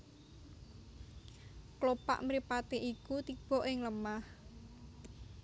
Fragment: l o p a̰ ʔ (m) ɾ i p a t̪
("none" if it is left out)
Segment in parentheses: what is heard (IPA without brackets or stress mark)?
m